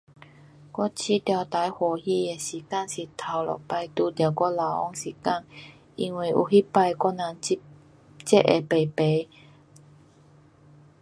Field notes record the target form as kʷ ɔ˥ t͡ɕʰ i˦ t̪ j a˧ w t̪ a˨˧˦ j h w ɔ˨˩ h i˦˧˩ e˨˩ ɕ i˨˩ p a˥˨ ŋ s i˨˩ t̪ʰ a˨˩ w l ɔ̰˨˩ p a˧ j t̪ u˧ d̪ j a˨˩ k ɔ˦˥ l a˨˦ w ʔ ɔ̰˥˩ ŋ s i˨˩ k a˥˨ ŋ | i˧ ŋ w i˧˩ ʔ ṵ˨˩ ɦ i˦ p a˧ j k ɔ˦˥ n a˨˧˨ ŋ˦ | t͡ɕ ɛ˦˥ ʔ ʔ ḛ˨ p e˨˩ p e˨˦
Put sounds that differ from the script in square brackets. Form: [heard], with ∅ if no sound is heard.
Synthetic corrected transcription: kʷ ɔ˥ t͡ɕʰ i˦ t̪ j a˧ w t̪ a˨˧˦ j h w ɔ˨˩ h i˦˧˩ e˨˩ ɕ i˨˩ [k] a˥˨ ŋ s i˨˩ t̪ʰ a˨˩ w l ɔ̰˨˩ p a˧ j t̪ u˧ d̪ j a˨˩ k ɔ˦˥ l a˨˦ w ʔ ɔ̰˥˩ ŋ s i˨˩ k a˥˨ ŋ | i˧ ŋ w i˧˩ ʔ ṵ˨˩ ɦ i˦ p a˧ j k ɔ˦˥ n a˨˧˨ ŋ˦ | t͡ɕ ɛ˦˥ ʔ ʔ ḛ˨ p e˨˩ p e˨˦

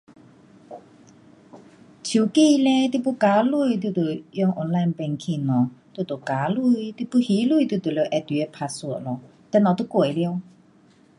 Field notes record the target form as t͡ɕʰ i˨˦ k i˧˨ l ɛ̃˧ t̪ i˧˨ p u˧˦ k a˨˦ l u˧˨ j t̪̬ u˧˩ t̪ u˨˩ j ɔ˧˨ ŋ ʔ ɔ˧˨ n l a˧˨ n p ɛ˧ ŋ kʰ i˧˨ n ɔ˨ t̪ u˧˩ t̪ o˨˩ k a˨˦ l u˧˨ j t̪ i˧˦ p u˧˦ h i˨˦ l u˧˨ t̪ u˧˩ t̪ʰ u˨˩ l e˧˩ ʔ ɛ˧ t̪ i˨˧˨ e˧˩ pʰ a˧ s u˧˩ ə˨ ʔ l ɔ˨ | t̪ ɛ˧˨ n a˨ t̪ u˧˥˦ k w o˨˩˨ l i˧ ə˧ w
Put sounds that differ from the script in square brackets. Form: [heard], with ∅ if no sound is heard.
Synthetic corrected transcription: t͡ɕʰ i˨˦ k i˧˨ l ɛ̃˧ t̪ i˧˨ p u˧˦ k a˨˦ l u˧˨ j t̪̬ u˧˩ t̪ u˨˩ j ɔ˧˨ ŋ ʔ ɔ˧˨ n l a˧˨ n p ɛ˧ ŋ kʰ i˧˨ n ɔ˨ t̪ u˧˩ t̪ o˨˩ k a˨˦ l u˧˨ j t̪ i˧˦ p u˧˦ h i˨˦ l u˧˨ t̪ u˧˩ [t̪] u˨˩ l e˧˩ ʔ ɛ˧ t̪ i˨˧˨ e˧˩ pʰ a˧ s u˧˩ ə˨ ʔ l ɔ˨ | t̪ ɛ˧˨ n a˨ t̪ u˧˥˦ k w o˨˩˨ l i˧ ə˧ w

